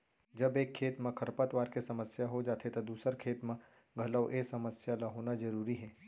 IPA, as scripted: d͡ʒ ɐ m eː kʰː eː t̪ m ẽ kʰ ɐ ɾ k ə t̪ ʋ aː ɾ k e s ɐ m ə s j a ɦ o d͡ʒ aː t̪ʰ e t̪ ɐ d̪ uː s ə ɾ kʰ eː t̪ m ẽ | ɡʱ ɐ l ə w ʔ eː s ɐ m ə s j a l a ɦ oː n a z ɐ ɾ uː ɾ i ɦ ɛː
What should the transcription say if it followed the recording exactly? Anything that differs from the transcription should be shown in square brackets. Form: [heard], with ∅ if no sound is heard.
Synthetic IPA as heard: d͡ʒ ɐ [b] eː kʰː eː t̪ m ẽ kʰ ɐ ɾ [p] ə t̪ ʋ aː ɾ k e s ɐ m ə s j a ɦ o d͡ʒ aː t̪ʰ e t̪ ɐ d̪ uː s ə ɾ kʰ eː t̪ m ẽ | ɡʱ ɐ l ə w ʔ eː s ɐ m ə s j a l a ɦ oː n a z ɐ ɾ uː ɾ i ɦ ɛː